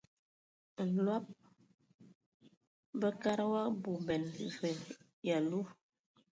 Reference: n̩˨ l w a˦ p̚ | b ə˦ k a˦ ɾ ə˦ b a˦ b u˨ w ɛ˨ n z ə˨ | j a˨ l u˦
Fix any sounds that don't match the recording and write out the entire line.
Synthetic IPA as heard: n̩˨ l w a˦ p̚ | b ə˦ k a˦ ɾ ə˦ w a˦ b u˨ b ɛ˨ n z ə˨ | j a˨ l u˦